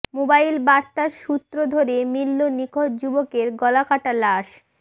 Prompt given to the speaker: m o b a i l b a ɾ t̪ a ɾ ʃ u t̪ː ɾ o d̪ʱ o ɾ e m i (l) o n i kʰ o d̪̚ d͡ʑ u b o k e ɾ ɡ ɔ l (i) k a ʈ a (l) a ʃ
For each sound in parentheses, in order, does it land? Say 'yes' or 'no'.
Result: no, no, yes

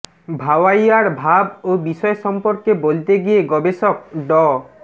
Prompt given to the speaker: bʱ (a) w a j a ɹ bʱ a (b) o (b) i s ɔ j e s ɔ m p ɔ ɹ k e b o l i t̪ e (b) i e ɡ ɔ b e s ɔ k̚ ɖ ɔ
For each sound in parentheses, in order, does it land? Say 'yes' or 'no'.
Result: yes, yes, yes, no

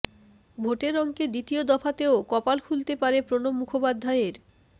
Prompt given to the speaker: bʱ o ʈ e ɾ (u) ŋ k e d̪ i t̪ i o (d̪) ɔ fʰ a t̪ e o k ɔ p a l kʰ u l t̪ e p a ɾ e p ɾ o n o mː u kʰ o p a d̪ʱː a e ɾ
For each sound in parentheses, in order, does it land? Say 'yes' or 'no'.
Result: no, yes

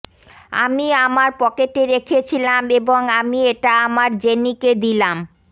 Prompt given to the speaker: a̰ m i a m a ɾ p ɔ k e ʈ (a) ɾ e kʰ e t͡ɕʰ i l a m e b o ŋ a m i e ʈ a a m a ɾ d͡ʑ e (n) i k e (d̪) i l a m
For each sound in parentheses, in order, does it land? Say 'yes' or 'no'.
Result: no, yes, yes

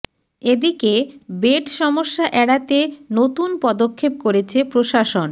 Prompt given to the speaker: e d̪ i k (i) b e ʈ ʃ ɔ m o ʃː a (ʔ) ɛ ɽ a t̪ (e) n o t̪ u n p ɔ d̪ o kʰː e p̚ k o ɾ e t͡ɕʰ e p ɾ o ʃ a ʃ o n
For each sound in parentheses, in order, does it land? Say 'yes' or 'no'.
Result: no, yes, yes

